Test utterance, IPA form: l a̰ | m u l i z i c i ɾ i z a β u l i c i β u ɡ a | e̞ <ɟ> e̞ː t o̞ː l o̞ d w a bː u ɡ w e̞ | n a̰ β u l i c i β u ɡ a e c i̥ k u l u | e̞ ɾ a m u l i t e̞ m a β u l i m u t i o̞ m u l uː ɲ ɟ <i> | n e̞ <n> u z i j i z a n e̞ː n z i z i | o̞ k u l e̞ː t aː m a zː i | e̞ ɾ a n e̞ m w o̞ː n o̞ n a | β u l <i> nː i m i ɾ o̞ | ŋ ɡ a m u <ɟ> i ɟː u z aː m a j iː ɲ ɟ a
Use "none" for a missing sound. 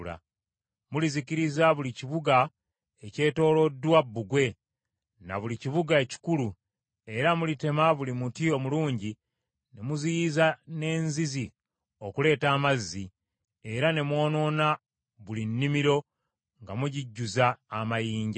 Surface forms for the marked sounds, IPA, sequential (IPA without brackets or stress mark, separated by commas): c, i, m, i, ɟ